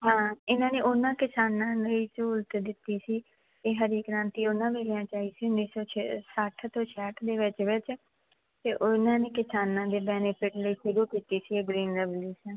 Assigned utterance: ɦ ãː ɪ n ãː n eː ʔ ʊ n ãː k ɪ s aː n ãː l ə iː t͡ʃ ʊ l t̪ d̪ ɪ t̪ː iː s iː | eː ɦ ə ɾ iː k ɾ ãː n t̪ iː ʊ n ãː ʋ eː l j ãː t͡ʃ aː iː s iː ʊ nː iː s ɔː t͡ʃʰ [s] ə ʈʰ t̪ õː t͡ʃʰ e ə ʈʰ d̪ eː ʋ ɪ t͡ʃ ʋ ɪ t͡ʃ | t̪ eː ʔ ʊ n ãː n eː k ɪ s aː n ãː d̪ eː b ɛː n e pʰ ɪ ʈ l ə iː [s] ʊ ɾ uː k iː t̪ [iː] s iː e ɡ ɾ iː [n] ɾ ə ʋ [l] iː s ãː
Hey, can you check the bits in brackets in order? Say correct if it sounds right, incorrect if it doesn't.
correct, incorrect: ʃ, correct, correct, correct

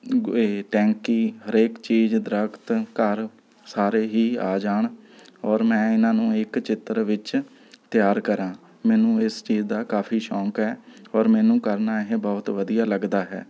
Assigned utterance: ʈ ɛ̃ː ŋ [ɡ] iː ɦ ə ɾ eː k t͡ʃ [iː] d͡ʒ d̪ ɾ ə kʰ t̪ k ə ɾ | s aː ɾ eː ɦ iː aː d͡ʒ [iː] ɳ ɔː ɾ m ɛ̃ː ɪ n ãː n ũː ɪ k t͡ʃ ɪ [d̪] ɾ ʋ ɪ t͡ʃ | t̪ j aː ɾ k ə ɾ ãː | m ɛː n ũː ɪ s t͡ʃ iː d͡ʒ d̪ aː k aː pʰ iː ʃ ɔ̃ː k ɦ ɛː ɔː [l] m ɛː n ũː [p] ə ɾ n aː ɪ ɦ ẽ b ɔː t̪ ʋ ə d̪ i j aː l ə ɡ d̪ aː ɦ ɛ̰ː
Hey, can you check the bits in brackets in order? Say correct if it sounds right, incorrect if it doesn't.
incorrect: k, correct, incorrect: aː, incorrect: t̪, incorrect: ɾ, incorrect: k

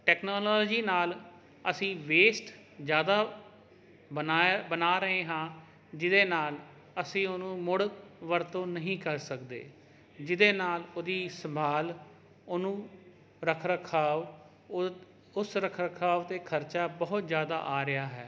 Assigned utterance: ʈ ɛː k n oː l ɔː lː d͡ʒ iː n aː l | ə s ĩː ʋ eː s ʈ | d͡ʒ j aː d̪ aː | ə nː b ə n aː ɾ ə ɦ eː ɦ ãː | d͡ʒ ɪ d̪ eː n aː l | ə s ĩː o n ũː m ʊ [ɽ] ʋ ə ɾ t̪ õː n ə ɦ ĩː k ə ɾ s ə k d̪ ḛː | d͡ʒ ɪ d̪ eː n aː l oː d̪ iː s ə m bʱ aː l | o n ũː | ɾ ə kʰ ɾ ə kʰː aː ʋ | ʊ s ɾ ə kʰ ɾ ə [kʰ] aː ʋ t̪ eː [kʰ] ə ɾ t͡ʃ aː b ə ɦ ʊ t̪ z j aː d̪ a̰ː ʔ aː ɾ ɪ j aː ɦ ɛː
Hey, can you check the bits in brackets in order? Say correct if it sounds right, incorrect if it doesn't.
correct, correct, correct

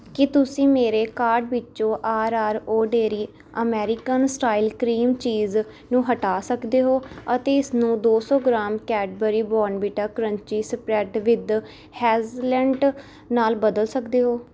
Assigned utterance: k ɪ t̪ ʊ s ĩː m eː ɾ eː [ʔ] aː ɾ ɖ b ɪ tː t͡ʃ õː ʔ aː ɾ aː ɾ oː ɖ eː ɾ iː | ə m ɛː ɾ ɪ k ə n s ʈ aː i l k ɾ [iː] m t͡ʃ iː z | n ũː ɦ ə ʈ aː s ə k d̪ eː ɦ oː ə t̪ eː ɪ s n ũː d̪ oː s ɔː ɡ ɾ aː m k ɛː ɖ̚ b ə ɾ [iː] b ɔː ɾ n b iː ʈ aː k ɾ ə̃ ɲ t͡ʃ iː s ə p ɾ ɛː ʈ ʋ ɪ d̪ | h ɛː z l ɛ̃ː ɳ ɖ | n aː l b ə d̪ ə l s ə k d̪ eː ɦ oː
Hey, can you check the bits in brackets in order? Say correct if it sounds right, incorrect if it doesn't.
incorrect: k, correct, correct

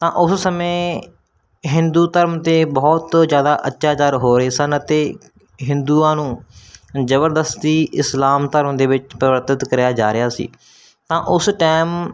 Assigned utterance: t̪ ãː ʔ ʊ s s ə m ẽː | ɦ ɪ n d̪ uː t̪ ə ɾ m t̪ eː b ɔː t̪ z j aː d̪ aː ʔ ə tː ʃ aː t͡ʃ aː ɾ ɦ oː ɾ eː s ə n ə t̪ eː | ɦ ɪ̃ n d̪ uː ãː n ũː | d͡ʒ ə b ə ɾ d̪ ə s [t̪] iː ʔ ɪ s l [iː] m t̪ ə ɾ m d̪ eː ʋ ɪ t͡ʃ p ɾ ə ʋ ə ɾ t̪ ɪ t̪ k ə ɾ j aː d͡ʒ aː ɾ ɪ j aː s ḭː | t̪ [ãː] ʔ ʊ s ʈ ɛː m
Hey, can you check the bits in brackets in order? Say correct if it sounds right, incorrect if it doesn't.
correct, incorrect: aː, correct

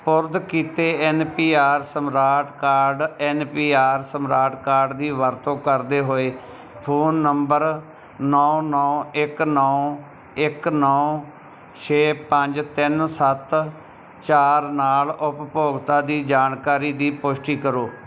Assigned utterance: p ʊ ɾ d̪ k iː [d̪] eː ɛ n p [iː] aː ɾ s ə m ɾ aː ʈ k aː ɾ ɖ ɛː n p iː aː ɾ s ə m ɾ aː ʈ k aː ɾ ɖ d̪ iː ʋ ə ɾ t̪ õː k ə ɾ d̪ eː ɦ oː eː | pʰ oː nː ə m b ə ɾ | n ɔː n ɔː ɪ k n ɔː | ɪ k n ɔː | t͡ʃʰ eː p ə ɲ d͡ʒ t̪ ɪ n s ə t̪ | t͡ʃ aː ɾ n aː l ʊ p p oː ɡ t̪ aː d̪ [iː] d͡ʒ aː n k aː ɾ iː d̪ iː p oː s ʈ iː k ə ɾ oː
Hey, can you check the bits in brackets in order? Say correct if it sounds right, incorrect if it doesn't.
incorrect: t̪, correct, correct

